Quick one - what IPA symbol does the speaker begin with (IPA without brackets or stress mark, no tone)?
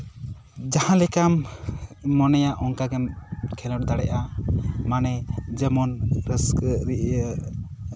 d͡ʒ